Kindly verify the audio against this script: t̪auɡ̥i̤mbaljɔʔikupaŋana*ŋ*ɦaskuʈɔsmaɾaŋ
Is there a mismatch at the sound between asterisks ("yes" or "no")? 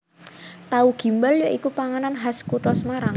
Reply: yes